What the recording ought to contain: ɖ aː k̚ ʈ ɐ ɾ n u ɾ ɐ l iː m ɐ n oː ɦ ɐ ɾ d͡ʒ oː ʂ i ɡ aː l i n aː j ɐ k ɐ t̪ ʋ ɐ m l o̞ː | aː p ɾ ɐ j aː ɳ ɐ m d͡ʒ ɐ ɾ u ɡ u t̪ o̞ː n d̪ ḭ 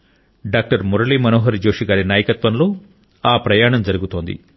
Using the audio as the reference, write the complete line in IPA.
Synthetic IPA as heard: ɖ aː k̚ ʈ ɐ ɾ m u ɾ ɐ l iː m ɐ n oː ɦ ɐ ɾ d͡ʒ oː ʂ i ɡ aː ɾ i n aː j ɐ k ɐ t̪ ʋ ɐ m l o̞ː | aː p ɾ ɐ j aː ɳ ɐ m d͡ʒ ɐ ɾ u ɡ u t̪ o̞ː n d̪ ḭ